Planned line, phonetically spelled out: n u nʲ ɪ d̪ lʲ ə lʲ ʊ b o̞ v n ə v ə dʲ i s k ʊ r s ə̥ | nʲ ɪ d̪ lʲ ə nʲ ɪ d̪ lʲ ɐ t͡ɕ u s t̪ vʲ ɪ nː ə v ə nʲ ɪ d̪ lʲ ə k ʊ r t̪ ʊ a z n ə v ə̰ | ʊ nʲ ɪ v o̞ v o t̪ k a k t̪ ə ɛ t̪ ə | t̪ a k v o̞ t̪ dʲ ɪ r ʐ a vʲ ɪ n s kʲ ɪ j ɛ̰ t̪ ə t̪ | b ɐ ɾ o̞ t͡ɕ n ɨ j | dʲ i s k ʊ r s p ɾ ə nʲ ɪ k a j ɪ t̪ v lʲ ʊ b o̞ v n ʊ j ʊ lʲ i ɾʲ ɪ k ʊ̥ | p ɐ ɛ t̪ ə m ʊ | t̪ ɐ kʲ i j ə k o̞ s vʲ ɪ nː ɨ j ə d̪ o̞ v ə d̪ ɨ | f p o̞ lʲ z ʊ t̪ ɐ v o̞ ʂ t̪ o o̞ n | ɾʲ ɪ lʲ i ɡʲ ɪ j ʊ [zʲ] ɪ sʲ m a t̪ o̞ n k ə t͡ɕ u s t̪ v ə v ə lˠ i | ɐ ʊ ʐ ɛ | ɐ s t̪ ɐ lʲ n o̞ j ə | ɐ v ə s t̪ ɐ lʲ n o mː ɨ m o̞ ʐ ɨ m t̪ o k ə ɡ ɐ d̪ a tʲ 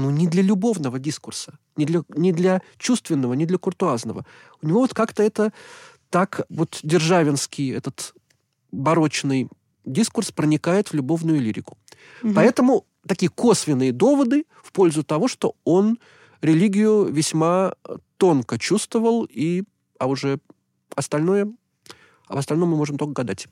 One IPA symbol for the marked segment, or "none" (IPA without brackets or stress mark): vʲ